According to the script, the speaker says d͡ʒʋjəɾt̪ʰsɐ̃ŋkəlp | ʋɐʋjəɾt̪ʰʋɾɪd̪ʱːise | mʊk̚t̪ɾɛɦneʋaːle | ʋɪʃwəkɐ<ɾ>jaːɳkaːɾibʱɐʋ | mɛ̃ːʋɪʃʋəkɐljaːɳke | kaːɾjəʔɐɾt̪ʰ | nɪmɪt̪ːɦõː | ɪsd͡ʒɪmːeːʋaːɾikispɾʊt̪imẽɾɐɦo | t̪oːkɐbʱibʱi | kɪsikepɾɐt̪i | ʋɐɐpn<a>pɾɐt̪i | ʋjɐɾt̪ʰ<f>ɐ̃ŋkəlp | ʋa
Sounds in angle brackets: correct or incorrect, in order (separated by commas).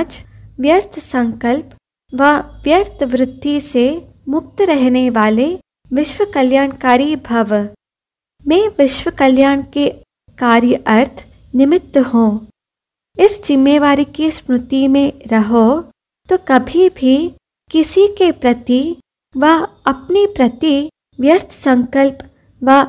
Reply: incorrect, incorrect, incorrect